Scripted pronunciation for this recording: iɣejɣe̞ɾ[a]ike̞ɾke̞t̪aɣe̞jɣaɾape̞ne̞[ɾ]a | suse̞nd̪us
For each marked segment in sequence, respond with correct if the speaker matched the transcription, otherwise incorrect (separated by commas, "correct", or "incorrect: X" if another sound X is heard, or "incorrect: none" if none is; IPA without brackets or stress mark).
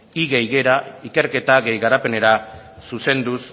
correct, correct